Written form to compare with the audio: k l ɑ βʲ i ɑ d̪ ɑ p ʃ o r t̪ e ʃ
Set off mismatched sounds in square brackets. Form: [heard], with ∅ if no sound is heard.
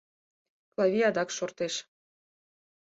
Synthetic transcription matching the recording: k l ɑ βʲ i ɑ d̪ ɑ [k] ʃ o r t̪ e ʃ